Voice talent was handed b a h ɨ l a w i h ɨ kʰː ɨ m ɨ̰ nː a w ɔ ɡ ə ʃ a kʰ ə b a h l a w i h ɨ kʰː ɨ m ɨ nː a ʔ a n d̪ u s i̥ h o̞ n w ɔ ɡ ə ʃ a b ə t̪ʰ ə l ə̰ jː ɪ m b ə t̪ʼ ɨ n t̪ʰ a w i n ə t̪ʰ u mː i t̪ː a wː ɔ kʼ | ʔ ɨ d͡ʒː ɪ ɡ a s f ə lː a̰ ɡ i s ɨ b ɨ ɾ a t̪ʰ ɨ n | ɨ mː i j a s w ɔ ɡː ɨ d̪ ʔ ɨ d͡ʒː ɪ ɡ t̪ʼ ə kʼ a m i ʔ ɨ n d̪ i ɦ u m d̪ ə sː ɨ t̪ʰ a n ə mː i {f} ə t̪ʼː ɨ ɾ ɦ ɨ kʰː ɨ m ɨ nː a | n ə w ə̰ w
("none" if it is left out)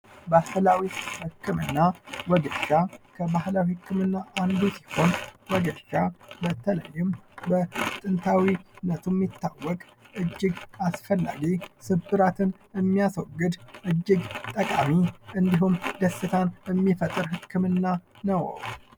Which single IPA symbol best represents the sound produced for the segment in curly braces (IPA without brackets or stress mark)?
f